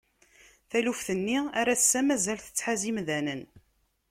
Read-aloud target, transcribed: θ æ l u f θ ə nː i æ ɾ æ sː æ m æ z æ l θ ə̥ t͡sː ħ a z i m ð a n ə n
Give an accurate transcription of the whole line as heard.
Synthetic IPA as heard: θ æ l u f θ ə nː i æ ɾ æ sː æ m æ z æ l θ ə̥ t͡sː ħ a z i m ð æ n ə n